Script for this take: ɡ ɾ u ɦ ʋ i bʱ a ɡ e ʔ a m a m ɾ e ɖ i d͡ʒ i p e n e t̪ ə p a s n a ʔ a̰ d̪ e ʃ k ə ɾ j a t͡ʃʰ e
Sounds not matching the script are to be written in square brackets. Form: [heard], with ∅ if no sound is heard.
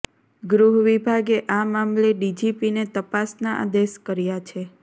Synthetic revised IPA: ɡ ɾ u ɦ ʋ i bʱ a ɡ e ʔ a m a m [l] e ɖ i d͡ʒ i p [i] n e t̪ ə p a s n a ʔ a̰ d̪ e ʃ k ə ɾ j a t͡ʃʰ e